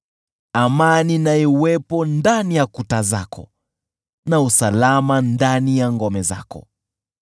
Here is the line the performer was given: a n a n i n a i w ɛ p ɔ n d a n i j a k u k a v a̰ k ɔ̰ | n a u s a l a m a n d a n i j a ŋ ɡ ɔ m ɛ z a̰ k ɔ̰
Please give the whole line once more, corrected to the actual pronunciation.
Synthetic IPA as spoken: a m a n i n a i w ɛ p ɔ n d a n i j a k u t a z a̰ k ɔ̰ | n a u s a l a m a n d a n i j a ŋ ɡ ɔ m ɛ z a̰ k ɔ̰